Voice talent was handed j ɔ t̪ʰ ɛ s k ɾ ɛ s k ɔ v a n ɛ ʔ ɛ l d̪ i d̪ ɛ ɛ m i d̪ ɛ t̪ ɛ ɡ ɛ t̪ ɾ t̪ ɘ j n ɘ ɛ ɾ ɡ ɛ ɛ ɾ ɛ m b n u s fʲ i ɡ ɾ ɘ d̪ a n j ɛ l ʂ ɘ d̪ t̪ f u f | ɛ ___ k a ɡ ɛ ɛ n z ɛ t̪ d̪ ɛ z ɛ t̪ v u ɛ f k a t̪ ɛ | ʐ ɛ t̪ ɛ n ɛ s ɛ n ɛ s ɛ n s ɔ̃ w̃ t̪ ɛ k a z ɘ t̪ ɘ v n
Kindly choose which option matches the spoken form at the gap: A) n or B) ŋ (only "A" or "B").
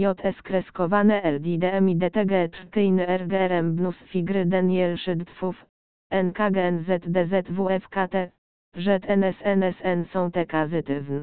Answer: A